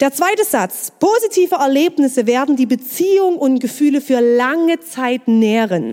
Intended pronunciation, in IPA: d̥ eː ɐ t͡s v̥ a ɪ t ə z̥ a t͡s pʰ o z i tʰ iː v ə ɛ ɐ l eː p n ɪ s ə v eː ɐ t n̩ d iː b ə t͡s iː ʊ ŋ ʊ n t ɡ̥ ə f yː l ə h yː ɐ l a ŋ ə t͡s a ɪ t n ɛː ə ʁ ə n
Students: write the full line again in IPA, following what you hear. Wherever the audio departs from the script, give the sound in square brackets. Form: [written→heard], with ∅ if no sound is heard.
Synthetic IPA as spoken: d̥ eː ɐ t͡s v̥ a ɪ t ə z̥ a t͡s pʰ o z i tʰ iː v ə ɛ ɐ l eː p n ɪ s ə v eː ɐ [t→d] n̩ d iː b ə t͡s iː ʊ ŋ ʊ n t ɡ̥ ə f yː l ə [h→f] yː ɐ l a ŋ ə t͡s a ɪ t n ɛː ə ʁ ə n